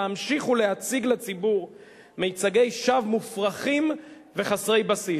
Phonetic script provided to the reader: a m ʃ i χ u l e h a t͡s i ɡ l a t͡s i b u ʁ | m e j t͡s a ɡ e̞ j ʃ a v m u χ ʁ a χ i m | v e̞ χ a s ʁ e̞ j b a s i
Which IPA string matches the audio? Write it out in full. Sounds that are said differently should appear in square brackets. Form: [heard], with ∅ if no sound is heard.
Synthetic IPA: a m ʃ i χ u l e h a t͡s i ɡ l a t͡s i b u ʁ | m e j t͡s a ɡ e̞ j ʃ a v m u [f] ʁ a χ i m | v e̞ χ a s ʁ e̞ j b a s i